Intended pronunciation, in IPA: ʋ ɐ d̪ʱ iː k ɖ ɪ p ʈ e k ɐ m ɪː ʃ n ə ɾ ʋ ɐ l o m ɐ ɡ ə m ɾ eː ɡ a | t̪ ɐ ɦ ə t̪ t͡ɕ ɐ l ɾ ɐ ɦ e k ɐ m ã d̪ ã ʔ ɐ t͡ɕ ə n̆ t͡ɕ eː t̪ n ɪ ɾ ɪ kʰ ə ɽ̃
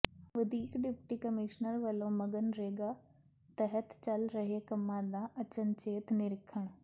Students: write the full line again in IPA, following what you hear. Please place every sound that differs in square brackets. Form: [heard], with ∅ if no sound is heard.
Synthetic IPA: ʋ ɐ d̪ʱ iː k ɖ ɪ p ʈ [i] k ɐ m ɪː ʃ n ə ɾ ʋ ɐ l o m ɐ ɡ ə [n] ɾ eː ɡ a | t̪ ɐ ɦ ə t̪ t͡ɕ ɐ l ɾ ɐ ɦ e k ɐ m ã d̪ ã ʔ ɐ t͡ɕ ə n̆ t͡ɕ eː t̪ n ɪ ɾ ɪ kʰ ə ɽ̃